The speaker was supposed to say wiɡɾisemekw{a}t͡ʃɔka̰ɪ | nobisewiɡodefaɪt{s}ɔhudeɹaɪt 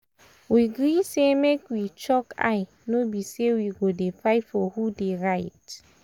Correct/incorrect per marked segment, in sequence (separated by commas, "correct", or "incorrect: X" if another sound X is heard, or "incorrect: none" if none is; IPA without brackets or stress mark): incorrect: i, incorrect: f